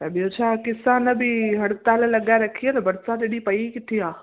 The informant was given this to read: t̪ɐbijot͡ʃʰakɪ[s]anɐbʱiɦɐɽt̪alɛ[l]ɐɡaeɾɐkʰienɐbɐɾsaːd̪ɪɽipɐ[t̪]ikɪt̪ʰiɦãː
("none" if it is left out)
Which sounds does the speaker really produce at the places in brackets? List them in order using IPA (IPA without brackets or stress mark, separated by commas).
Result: s, l, none